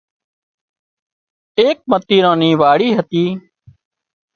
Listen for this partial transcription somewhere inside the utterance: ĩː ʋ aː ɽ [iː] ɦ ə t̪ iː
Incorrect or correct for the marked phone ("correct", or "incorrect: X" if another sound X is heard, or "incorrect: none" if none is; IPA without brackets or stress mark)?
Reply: correct